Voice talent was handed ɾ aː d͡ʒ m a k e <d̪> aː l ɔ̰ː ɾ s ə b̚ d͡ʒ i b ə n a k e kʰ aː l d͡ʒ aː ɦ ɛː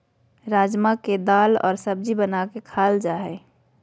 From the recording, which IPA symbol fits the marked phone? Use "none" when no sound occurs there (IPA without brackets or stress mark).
d̪